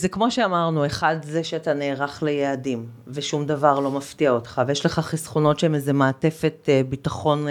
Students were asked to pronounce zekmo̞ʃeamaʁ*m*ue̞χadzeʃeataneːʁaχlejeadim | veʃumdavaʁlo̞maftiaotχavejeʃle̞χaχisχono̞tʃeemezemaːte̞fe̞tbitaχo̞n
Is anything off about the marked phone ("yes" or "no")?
yes